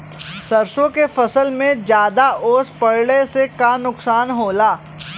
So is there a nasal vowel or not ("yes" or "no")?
yes